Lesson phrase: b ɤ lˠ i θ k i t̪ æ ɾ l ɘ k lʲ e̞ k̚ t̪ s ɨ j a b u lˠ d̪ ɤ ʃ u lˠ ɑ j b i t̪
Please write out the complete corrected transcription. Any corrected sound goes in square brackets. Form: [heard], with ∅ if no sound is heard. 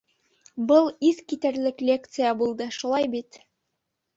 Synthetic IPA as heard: b ɤ lˠ i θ k i t̪ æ ɾ l ɘ k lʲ e̞ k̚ t̪ s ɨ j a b u lˠ d̪ ɤ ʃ u lˠ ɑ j b i t̪